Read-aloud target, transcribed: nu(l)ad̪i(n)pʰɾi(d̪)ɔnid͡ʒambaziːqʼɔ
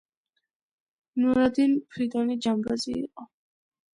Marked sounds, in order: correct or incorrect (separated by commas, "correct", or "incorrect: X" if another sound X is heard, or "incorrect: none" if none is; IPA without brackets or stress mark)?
incorrect: ɾ, correct, correct